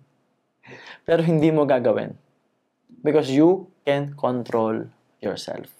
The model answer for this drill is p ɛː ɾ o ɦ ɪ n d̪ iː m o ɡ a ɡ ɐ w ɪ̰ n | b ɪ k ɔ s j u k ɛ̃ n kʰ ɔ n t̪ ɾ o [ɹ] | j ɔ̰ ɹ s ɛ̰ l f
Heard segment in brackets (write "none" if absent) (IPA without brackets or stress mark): l